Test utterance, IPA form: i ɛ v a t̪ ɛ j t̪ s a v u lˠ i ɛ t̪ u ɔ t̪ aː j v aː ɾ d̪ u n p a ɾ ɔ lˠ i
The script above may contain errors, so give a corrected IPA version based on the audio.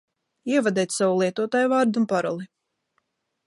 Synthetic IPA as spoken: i ɛ v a d̪ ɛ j t̪ s a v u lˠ i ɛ t̪ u ɔ t̪ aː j v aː ɾ d̪ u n p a ɾ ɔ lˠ i